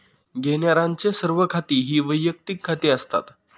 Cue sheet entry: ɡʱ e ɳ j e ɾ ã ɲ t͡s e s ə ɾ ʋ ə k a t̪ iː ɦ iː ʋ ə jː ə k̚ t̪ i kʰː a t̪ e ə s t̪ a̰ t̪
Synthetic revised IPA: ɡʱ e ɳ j a ɾ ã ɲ t͡s e s ə ɾ ʋ ə kʰ a t̪ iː ɦ iː ʋ ə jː ə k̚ t̪ i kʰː a t̪ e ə s t̪ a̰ t̪